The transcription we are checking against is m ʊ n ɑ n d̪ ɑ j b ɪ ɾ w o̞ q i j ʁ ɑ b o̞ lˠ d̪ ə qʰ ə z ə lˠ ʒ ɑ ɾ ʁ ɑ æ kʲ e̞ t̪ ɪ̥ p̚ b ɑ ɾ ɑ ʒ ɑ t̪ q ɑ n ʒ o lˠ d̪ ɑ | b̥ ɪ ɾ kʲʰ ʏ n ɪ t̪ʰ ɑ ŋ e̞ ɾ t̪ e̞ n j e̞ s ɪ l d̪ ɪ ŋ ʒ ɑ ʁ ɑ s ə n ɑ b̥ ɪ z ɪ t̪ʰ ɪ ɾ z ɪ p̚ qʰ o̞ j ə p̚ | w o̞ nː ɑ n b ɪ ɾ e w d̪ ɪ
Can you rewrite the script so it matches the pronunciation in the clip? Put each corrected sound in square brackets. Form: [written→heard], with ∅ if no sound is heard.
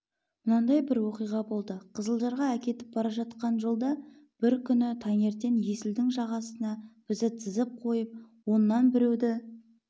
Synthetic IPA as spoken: m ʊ n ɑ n d̪ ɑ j b ɪ ɾ w o̞ q i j ʁ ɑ b o̞ lˠ d̪ ə qʰ ə z ə lˠ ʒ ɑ ɾ ʁ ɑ æ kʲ e̞ t̪ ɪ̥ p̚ b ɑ ɾ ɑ ʒ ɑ t̪ q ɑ n ʒ o lˠ d̪ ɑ | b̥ ɪ ɾ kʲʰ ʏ n ɪ t̪ʰ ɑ ŋ e̞ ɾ t̪ e̞ n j e̞ s ɪ l d̪ ɪ ŋ ʒ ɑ ʁ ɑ s ə n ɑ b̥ ɪ z ɪ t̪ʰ ɪ [ɾ→∅] z ɪ p̚ qʰ o̞ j ə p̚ | w o̞ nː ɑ n b ɪ ɾ e w d̪ ɪ